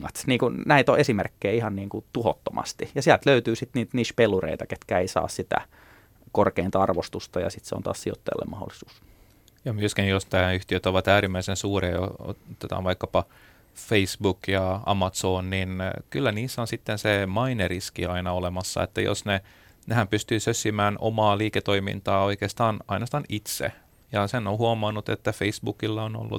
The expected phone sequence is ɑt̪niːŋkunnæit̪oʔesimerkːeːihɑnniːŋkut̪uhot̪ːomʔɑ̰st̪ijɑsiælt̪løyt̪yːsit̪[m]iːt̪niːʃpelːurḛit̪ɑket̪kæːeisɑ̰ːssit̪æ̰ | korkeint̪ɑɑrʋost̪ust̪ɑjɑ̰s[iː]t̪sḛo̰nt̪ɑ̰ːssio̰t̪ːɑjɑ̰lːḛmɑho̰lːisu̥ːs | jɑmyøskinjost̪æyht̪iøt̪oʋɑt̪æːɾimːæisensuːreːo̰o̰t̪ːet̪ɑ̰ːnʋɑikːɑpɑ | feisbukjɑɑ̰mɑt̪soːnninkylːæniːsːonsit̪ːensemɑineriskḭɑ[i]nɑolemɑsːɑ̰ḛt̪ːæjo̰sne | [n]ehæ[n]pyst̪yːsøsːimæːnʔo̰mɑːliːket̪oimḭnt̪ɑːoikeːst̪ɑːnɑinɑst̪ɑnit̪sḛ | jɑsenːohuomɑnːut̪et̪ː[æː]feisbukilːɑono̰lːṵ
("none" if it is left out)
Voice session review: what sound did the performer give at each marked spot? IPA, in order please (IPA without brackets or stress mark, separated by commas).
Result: n, i, i, n, m, æ